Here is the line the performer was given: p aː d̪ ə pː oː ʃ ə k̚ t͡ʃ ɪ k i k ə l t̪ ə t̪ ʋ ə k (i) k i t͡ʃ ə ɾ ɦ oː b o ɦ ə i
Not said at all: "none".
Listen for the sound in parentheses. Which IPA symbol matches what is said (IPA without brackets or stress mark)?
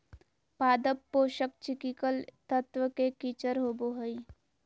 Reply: e